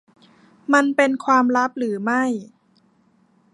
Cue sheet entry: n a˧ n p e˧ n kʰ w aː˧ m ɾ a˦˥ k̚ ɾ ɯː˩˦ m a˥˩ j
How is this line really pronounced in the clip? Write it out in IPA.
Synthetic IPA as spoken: m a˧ n p e˧ n kʰ w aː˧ m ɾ a˦˥ p̚ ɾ ɯː˩˦ m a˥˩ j